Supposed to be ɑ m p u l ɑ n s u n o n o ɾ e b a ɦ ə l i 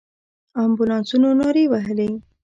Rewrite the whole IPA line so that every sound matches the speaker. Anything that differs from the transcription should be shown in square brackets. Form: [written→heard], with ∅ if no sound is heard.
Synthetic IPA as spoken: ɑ m [p→b] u l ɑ n s u n o n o ɾ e [b→w] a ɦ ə l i